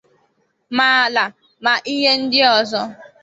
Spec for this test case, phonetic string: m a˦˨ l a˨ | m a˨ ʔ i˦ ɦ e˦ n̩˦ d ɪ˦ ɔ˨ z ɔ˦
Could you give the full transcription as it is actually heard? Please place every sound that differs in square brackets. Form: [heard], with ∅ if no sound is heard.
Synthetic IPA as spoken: m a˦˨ l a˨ | m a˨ ʔ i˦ ɦ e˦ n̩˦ d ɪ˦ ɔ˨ z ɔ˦